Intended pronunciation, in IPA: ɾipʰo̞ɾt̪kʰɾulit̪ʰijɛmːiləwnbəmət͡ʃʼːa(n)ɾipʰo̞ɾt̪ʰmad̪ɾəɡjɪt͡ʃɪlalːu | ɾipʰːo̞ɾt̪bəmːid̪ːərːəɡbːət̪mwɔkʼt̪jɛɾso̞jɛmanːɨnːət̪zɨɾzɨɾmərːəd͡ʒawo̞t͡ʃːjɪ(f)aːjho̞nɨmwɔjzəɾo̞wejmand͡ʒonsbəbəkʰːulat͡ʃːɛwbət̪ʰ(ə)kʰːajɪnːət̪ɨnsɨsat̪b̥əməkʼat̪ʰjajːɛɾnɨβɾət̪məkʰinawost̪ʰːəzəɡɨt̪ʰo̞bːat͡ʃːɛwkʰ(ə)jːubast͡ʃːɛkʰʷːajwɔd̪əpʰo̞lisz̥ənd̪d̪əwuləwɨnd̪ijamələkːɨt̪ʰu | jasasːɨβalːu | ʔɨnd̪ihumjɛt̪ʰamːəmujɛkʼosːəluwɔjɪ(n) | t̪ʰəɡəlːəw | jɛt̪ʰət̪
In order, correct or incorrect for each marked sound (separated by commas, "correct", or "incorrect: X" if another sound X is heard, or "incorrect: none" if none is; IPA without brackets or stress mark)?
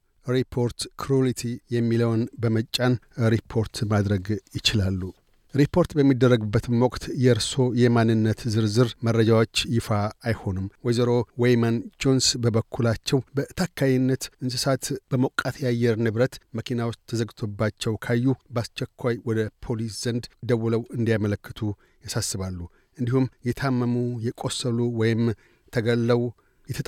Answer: correct, correct, incorrect: a, incorrect: a, incorrect: m